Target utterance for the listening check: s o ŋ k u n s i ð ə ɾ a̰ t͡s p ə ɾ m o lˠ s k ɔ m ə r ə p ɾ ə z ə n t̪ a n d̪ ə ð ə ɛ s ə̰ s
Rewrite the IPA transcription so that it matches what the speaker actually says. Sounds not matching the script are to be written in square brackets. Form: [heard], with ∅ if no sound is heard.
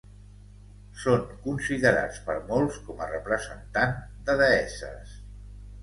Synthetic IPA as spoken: s o ŋ k u n s i ð ə ɾ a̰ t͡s p ə ɾ m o lˠ s k ɔ m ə r ə p ɾ ə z ə n t̪ a n d̪ ə ð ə ɛ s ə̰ s